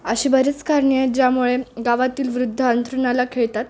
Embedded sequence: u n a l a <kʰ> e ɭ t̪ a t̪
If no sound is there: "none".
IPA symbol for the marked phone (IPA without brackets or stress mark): kʰ